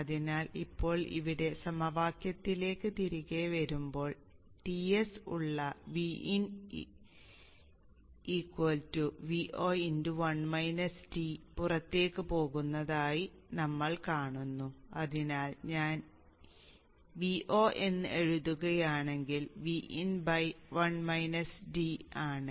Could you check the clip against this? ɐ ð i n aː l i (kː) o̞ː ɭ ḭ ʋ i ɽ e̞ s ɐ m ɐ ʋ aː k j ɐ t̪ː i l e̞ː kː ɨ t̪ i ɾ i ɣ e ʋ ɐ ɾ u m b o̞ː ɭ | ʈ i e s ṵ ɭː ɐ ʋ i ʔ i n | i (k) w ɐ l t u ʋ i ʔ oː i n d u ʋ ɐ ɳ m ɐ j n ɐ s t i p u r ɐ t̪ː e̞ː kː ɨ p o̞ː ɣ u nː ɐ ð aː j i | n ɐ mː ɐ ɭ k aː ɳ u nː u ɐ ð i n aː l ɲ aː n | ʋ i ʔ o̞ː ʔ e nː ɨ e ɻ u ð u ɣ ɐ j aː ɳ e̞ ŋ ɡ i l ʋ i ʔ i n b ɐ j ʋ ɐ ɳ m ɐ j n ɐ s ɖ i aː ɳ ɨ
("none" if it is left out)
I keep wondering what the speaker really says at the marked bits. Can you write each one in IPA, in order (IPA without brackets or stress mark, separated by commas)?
pː, k